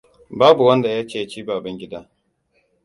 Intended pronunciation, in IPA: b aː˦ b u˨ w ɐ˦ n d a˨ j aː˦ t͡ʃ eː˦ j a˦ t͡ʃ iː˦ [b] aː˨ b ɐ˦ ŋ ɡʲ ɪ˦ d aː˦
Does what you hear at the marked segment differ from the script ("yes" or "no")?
no